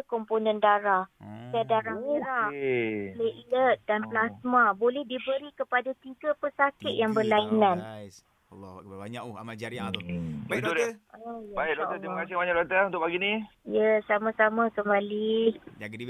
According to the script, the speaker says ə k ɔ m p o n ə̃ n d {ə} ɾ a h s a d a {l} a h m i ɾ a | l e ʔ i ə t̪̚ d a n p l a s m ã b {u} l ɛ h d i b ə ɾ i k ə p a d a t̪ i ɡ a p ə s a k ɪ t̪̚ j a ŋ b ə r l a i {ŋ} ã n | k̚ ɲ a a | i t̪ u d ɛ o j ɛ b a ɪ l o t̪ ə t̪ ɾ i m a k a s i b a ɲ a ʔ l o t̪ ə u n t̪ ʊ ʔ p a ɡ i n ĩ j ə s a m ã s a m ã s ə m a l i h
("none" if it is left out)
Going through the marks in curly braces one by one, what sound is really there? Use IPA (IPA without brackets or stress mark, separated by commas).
a, ɾ, o, n